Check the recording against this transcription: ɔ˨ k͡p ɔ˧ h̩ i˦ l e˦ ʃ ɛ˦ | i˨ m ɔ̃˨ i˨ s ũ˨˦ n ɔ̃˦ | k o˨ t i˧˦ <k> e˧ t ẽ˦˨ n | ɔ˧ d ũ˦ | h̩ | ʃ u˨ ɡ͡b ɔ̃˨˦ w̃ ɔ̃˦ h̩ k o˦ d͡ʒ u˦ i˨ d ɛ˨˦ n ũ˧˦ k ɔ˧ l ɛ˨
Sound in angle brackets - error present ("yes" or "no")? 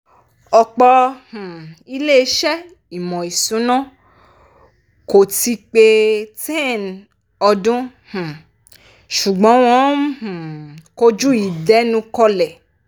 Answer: yes